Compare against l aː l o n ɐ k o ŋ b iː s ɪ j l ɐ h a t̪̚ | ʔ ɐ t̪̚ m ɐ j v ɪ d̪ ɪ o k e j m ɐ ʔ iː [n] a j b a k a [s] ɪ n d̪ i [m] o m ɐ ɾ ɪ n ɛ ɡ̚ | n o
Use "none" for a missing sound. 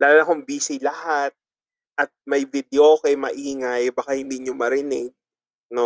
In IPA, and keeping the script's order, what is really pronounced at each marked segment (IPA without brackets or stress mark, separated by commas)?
ŋ, h, ɲ